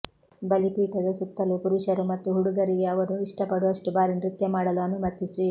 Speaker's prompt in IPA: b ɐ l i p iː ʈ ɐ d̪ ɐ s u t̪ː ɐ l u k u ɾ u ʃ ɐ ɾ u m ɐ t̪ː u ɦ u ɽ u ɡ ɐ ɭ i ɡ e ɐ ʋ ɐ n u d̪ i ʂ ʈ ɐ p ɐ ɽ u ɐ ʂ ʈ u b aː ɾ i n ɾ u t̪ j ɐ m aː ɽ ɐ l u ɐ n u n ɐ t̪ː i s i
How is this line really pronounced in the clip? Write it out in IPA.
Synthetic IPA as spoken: b ɐ l i p iː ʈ ɐ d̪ ɐ s u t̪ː ɐ l u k u ɾ u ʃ ɐ ɾ u m ɐ t̪ː u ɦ u ɽ u ɡ ɐ ɾ i ɡ e ɐ ʋ ɐ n u i ʂ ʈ ɐ p ɐ ɽ u ɐ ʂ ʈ u b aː ɾ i n ɾ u t̪ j ɐ m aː ɽ ɐ l u ɐ n u m ɐ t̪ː i s i